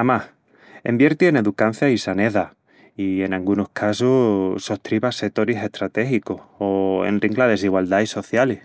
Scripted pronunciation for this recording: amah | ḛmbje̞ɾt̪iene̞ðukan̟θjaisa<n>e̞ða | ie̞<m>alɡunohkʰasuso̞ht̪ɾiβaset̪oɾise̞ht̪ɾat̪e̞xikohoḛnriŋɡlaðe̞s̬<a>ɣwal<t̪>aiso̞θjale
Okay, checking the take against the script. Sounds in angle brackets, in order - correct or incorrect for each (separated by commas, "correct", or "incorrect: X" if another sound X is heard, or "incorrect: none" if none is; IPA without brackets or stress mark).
correct, incorrect: n, incorrect: i, incorrect: d̪